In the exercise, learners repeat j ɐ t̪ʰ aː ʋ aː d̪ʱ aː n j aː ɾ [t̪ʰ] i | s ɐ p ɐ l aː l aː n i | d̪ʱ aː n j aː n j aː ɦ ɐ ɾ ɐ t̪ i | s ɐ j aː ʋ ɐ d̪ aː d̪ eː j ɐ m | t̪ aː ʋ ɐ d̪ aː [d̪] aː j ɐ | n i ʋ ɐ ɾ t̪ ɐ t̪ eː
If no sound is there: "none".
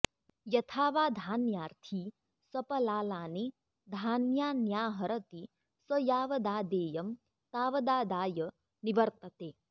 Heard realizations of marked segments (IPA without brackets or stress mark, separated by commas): t̪ʰ, d̪